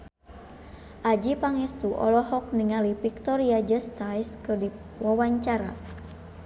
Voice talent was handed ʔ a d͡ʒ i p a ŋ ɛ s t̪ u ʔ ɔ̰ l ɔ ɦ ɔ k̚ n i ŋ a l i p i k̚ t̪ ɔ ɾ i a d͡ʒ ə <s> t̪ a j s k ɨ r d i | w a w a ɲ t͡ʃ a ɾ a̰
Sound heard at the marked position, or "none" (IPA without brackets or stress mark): s